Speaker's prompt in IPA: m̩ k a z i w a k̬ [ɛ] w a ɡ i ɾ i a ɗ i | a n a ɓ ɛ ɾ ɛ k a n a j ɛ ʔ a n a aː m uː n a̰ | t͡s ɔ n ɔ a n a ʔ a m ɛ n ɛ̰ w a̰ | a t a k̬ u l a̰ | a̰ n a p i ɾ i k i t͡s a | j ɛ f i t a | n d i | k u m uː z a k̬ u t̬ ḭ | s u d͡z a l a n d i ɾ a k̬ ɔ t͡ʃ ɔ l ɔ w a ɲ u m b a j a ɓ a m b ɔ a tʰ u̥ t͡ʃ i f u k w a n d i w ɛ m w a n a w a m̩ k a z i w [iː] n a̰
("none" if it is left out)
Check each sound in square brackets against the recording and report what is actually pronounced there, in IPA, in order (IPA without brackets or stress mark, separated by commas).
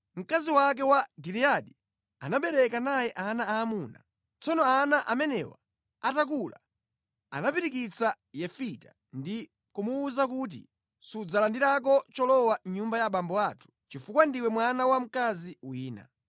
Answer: ɛ, iː